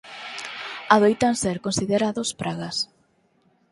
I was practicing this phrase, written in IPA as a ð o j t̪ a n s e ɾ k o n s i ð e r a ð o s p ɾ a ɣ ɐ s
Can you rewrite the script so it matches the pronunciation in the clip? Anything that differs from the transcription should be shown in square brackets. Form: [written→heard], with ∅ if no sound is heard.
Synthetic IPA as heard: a ð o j t̪ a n s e ɾ k o n s i ð e [r→ɾ] a ð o s p ɾ a ɣ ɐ s